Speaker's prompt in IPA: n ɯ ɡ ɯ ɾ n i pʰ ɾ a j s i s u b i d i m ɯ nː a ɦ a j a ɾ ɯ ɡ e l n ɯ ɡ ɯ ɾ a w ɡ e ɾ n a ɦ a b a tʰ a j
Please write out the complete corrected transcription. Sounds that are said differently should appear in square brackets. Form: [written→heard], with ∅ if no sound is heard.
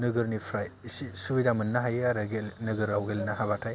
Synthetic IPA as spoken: n ɯ ɡ ɯ ɾ n i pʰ ɾ a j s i s u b i d [i→a] m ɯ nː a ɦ a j a ɾ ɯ ɡ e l n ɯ ɡ ɯ ɾ a w ɡ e [ɾ→l] n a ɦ a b a tʰ a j